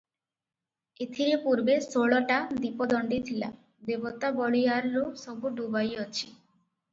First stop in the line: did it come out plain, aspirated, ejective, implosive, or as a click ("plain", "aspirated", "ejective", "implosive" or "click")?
aspirated